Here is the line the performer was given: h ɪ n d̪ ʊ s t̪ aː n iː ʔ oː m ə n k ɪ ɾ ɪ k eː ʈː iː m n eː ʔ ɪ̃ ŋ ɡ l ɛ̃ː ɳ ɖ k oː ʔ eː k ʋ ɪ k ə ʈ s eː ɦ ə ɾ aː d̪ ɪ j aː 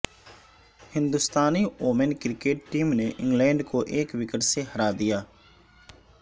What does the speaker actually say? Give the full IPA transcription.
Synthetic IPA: h ɪ n d̪ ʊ s t̪ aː n iː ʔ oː m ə n k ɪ ɾ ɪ k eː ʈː iː m n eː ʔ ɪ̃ ŋ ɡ l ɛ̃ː ɳ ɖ k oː ʔ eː k ʋ ɪ k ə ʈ s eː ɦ ə ɾ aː d̪ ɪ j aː